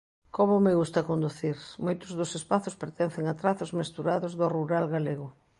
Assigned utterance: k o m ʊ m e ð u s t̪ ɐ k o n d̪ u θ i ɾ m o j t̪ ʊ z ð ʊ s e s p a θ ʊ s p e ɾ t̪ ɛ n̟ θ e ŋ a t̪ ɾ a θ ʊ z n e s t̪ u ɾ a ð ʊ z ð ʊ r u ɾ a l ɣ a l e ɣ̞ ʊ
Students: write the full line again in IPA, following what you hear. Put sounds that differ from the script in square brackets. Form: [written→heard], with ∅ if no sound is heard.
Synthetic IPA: k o m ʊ m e [ð→ɣ] u s t̪ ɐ k o n d̪ u θ i ɾ m o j t̪ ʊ z ð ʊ s e s p a θ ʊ s p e ɾ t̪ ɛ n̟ θ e ŋ a t̪ ɾ a θ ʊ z [n→m] e s t̪ u ɾ a ð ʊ z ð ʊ r u ɾ a l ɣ a l e ɣ̞ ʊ